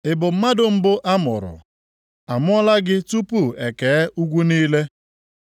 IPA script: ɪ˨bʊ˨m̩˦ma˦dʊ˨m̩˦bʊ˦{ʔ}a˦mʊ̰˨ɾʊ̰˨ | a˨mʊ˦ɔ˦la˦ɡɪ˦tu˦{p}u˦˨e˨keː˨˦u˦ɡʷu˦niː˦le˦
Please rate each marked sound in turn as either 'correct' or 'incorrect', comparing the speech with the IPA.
correct, correct

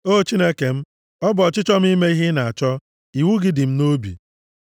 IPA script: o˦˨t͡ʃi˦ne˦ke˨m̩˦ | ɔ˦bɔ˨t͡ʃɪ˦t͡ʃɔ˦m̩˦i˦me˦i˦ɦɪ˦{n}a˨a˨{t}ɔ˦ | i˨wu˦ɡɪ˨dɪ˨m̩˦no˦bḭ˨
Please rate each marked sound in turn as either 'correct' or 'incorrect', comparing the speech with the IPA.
correct, incorrect

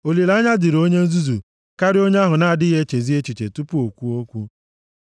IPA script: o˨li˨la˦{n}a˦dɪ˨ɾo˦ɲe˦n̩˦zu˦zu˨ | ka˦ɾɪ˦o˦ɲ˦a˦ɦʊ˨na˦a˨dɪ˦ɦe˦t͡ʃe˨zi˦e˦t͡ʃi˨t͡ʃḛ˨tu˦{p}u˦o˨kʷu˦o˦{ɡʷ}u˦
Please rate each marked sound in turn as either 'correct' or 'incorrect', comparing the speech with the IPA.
incorrect, correct, incorrect

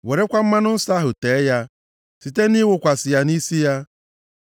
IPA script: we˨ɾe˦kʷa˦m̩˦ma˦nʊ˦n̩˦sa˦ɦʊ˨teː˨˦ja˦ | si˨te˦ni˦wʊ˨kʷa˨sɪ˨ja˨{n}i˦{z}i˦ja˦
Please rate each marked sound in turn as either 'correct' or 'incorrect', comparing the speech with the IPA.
correct, incorrect

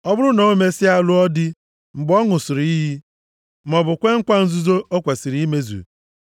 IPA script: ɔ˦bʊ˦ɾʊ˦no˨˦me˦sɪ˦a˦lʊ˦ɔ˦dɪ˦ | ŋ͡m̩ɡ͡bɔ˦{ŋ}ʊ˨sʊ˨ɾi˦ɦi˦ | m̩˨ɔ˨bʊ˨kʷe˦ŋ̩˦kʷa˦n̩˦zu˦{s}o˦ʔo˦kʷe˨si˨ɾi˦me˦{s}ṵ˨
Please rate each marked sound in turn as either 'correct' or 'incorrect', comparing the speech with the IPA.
correct, incorrect, incorrect

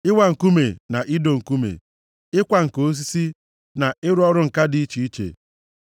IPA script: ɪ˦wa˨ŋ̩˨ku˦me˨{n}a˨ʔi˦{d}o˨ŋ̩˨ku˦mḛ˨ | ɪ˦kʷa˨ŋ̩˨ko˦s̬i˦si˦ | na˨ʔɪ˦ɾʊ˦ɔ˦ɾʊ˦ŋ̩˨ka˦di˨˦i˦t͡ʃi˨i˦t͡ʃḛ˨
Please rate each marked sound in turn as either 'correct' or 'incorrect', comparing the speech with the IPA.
correct, correct

